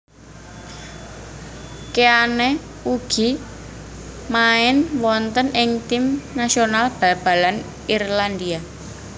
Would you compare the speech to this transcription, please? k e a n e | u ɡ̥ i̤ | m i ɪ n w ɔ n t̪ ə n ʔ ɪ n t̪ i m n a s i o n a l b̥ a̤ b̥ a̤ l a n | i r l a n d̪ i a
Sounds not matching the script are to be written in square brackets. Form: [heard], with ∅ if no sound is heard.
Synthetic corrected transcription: k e a n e | u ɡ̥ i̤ | m [a] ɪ n w ɔ n t̪ ə n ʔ ɪ [ŋ] t̪ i m n a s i o n a l b̥ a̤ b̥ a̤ l a n | i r l a n d̪ i a